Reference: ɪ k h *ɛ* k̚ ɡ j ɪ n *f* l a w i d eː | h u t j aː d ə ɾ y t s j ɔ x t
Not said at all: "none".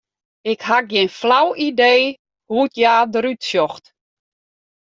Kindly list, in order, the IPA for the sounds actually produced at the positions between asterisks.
a, f

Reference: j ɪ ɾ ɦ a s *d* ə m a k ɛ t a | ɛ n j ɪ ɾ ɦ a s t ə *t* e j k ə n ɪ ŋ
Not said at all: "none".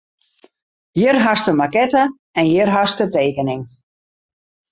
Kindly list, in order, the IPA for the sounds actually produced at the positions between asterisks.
t, t

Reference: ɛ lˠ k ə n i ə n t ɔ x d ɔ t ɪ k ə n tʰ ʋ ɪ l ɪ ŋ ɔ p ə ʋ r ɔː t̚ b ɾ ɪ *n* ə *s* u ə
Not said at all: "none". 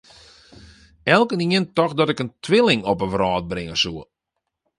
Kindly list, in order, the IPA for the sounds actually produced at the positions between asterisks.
ŋ, s

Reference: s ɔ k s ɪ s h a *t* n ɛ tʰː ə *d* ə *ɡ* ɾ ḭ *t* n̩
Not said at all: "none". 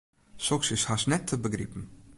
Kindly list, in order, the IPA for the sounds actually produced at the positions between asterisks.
s, b, ɡ, p

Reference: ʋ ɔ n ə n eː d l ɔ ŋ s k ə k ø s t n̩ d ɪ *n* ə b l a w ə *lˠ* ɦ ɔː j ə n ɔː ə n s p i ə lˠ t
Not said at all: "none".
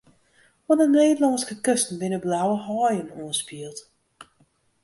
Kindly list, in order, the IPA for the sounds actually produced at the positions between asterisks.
n, none

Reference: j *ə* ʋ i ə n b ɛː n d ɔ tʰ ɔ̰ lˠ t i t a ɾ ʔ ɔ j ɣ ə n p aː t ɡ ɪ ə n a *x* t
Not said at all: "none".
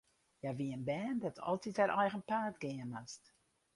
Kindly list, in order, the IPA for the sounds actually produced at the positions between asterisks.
a, s

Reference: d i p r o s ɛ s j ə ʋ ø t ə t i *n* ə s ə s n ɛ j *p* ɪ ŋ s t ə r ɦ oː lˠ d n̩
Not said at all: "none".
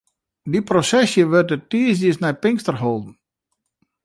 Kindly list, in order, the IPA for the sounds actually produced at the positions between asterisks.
none, p

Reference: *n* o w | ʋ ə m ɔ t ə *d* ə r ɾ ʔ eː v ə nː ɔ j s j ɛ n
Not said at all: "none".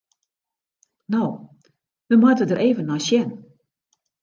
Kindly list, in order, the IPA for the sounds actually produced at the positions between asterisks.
n, d

